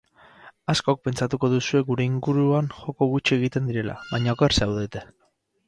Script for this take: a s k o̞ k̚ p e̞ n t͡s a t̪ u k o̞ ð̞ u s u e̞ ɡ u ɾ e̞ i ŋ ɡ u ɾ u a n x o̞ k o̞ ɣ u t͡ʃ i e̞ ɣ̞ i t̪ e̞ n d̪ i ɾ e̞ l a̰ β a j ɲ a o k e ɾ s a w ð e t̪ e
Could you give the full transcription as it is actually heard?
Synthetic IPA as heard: a s k o̞ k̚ p e̞ n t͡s a t̪ u k o̞ ð̞ u s u e̞ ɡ u ɾ e̞ i ŋ ɡ u ɾ u a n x o̞ k o̞ ɣ u t͡ʃ i e̞ ɣ̞ i t̪ e̞ n d̪ i ɾ e̞ l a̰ β a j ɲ a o k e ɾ s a w ð e t̪ e